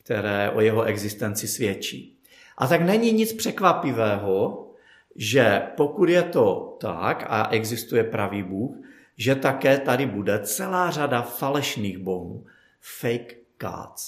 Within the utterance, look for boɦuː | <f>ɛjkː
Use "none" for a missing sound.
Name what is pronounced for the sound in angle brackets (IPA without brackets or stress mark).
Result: f